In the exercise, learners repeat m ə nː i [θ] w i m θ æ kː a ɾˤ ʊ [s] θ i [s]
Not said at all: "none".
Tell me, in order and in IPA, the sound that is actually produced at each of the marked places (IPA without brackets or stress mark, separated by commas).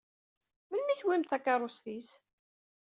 θ, s, s